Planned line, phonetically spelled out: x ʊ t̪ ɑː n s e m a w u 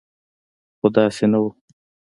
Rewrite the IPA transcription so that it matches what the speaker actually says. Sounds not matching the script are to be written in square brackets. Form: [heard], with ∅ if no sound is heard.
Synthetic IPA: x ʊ [d̪] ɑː [∅] s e [n] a w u